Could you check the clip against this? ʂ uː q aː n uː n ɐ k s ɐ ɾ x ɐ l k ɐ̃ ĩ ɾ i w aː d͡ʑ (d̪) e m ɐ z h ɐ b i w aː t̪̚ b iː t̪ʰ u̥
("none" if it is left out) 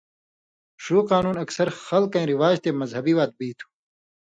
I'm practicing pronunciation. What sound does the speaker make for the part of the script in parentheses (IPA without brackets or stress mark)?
t̪